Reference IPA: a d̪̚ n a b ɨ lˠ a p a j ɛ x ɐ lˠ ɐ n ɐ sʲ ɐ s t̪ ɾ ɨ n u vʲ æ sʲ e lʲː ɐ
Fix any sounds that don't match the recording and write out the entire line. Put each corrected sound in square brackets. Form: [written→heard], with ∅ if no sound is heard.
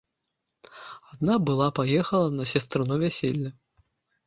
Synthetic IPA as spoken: a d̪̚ n a b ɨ lˠ a p a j ɛ x ɐ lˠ ɐ n ɐ sʲ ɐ s t̪ ɾ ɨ n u vʲ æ sʲ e lʲː ɐ